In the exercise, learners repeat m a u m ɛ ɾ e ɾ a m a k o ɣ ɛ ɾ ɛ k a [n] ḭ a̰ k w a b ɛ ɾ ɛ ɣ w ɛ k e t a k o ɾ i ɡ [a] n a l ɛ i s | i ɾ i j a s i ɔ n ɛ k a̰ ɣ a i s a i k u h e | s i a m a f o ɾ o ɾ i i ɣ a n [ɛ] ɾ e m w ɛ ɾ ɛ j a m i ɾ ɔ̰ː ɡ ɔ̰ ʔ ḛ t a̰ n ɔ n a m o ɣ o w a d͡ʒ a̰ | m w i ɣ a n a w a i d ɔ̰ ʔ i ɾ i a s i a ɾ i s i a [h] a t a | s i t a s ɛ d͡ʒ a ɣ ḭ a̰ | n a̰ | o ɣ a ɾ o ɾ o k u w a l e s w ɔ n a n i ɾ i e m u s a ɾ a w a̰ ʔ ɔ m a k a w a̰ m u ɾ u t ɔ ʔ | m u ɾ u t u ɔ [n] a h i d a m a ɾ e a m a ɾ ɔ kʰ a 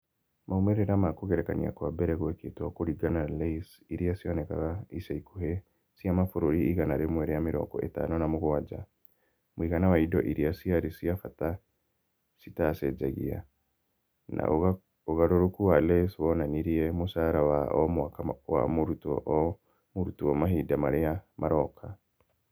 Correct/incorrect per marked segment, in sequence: correct, correct, incorrect: a, incorrect: f, incorrect: m

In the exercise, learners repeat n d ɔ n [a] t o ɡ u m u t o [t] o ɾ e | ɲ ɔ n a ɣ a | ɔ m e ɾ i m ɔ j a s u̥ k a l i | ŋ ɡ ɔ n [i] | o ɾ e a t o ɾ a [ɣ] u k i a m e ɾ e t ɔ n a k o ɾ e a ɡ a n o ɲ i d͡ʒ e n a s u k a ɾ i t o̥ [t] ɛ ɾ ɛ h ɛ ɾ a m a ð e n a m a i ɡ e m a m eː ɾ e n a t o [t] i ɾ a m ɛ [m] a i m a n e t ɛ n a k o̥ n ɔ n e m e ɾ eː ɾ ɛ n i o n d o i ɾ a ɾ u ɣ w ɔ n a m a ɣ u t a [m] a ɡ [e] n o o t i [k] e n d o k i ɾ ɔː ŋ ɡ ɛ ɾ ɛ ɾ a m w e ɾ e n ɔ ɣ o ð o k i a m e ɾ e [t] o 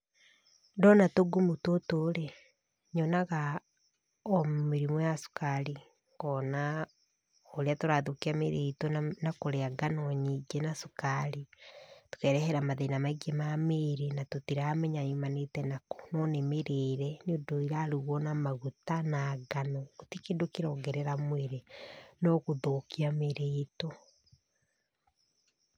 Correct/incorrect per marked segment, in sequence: correct, correct, incorrect: a, incorrect: ð, incorrect: k, correct, incorrect: ɲ, incorrect: n, incorrect: a, correct, correct

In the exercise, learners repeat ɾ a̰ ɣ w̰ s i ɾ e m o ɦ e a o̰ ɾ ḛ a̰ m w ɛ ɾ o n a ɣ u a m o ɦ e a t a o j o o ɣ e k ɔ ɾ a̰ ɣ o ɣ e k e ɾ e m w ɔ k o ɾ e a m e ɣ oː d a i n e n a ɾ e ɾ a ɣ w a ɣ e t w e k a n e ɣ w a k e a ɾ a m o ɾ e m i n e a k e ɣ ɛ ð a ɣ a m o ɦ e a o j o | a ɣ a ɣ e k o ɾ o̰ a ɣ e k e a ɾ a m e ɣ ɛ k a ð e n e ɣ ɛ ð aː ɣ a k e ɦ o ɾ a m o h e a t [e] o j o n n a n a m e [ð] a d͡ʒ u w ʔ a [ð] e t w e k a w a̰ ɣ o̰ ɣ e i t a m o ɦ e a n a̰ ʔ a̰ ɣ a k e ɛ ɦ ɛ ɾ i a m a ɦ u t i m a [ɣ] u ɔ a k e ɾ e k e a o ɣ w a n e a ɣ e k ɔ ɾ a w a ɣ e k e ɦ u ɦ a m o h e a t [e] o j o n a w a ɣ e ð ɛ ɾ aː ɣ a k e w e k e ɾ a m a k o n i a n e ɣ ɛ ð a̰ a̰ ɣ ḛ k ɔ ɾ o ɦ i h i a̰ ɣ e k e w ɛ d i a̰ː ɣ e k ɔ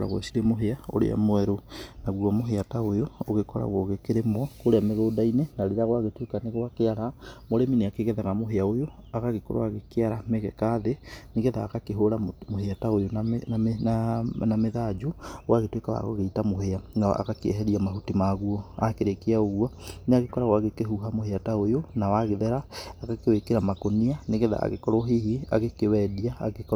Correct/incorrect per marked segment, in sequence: incorrect: a, correct, incorrect: ɣ, correct, incorrect: a

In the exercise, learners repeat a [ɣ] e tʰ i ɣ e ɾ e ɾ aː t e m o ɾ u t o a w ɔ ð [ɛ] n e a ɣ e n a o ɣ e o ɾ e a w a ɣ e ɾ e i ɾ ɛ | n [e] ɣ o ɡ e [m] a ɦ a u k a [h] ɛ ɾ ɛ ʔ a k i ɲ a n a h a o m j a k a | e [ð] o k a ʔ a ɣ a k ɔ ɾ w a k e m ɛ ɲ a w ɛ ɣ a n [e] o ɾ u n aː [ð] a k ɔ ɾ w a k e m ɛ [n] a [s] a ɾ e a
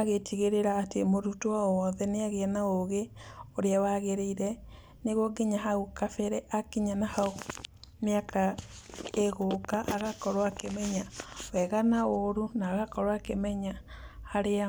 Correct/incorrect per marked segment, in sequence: correct, correct, correct, incorrect: ɲ, incorrect: f, incorrect: ɣ, incorrect: a, incorrect: ɣ, incorrect: ɲ, incorrect: h

